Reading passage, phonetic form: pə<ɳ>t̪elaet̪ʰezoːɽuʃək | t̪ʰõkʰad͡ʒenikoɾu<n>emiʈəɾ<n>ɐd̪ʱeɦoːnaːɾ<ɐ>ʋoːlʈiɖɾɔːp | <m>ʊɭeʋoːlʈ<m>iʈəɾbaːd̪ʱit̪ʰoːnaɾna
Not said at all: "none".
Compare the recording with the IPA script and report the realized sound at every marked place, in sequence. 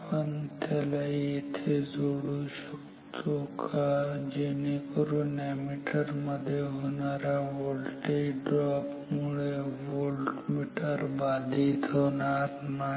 n, n, m, a, m, m

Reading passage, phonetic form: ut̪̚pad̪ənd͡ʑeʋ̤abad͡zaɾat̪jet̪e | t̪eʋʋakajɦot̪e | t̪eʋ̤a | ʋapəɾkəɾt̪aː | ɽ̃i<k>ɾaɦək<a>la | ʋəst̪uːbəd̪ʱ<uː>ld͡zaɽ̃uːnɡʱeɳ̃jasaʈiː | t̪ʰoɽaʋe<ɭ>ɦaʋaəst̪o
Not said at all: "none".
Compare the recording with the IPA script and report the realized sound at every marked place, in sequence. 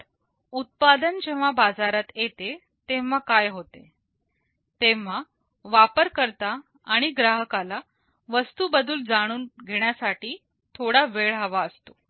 ɡ, a, uː, ɭ

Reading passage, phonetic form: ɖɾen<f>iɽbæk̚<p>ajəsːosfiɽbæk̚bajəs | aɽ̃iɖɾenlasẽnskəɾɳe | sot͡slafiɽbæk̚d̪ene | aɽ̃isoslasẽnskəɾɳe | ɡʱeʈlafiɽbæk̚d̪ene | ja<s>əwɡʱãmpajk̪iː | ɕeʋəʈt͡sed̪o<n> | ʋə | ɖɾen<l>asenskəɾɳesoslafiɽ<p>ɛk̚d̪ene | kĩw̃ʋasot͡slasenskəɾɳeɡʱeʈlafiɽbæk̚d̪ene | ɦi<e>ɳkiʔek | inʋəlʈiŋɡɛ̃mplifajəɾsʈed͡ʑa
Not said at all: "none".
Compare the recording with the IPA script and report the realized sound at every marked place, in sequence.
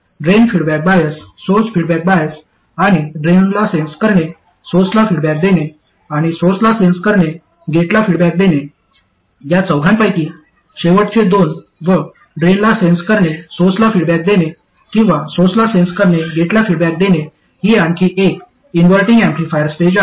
f, b, t͡s, n, l, b, a

